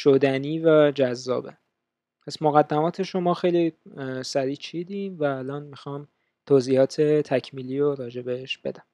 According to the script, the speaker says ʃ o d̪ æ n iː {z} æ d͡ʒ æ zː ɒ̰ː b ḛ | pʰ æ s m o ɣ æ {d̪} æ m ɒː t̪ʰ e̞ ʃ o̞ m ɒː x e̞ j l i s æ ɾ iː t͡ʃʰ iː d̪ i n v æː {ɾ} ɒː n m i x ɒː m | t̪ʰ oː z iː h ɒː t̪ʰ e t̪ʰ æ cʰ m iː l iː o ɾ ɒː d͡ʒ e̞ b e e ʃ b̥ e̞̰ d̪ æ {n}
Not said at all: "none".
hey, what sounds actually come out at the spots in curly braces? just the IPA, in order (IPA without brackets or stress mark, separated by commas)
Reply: v, d̪ː, l, m